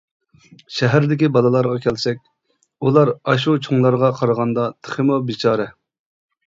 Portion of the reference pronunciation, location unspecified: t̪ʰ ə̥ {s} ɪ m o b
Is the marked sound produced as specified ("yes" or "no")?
no